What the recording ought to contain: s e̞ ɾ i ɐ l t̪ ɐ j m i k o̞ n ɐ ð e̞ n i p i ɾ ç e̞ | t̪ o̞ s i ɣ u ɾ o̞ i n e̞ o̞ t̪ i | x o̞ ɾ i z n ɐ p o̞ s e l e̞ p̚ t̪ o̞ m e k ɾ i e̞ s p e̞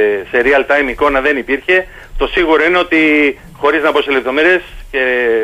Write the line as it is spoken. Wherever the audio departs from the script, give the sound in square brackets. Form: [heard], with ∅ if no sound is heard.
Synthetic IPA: s e̞ ɾ i ɐ l t̪ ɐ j m i k o̞ n ɐ ð e̞ n i p i ɾ ç e̞ | t̪ o̞ s i ɣ u ɾ o̞ i n e̞ o̞ t̪ i | x o̞ ɾ i z n ɐ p o̞ s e l e̞ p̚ t̪ o̞ m e [∅] ɾ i e̞ s [c] e̞